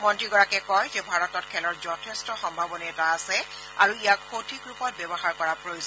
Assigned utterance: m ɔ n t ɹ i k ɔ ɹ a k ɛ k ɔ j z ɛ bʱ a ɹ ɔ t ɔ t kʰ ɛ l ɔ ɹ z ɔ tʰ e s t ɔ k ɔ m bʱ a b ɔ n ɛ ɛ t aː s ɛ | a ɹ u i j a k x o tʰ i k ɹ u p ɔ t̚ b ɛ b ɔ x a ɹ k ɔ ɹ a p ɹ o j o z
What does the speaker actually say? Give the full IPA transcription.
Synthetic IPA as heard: m ɔ n t ɹ i ɡ ɔ ɹ a k ɛ k ɔ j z ɛ bʱ a ɹ ɔ t ɔ t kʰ ɛ l ɔ ɹ z ɔ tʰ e s t ɔ x ɔ m bʱ a b ɔ n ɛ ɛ t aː s ɛ | a ɹ u i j a k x o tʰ i k ɹ u p ɔ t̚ b ɛ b ɔ x a ɹ k ɔ ɹ a p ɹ o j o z